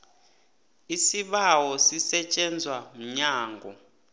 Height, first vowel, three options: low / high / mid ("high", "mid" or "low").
high